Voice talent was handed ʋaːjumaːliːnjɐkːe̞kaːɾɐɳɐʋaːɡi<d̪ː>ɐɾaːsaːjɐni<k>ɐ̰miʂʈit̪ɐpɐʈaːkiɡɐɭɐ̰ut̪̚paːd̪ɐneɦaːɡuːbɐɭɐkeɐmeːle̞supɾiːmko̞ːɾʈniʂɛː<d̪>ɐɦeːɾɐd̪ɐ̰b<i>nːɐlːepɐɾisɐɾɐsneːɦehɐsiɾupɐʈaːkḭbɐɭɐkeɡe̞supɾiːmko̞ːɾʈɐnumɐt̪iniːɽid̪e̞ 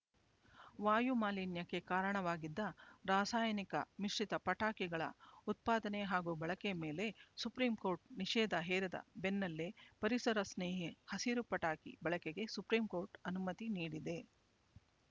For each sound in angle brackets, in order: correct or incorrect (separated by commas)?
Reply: correct, correct, correct, incorrect